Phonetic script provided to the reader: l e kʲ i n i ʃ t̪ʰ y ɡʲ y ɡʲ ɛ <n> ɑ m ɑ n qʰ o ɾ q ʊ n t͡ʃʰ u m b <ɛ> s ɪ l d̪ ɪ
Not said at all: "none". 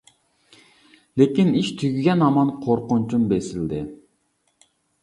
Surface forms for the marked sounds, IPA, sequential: n, e

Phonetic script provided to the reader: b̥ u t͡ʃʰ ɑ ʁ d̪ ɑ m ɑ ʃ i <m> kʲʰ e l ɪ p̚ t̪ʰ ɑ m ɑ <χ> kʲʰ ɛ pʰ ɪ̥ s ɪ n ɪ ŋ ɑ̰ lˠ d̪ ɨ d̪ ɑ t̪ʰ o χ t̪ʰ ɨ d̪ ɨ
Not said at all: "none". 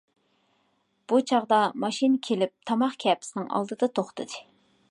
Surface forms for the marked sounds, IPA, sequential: n, χ

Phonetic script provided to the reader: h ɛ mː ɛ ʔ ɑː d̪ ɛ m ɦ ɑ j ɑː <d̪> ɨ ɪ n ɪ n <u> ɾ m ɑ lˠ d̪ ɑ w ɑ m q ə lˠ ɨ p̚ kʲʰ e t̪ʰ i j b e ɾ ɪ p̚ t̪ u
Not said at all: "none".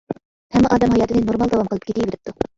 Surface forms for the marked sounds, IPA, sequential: t̪, o

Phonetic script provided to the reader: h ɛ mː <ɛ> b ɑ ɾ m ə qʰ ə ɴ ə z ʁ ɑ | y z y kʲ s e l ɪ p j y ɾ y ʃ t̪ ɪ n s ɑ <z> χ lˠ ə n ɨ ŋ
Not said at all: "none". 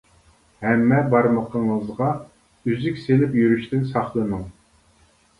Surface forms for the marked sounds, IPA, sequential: ɛ, none

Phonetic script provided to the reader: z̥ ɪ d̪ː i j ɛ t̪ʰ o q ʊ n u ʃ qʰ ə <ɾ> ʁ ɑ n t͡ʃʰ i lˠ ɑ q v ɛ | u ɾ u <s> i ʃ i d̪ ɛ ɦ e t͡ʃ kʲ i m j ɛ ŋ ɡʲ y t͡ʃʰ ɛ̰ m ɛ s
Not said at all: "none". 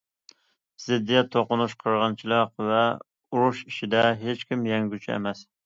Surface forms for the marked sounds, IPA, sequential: ɾ, ʃ

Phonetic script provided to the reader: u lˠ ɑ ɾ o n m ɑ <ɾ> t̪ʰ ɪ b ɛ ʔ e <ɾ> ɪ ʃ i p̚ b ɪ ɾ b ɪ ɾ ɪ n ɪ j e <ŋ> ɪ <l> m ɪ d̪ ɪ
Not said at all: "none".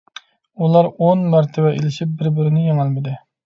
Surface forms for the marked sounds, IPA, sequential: ɾ, l, ŋ, l

